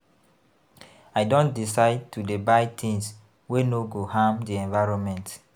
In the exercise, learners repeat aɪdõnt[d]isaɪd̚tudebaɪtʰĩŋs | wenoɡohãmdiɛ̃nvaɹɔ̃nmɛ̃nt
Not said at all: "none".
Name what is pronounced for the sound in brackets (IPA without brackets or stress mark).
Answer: d